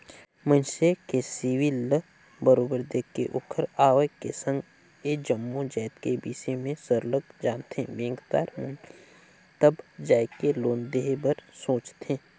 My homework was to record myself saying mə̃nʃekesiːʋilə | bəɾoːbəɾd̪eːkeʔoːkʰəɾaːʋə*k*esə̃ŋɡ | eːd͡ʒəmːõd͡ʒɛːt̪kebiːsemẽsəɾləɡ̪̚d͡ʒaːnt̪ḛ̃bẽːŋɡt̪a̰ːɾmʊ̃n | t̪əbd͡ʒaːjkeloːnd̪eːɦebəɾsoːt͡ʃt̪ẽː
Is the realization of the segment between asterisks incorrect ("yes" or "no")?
no